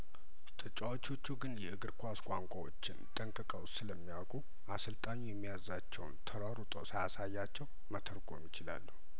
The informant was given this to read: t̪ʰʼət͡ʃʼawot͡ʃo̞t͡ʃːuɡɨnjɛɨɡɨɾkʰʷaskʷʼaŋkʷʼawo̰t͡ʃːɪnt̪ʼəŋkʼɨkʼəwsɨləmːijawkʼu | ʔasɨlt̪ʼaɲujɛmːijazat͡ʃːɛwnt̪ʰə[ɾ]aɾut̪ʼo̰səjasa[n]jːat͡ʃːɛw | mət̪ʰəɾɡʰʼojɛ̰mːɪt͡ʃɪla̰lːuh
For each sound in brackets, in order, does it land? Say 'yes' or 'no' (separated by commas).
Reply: yes, no